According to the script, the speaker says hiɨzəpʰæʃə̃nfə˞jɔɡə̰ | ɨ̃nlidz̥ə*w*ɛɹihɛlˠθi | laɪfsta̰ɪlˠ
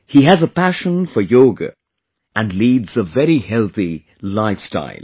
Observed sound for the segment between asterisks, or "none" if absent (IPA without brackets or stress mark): v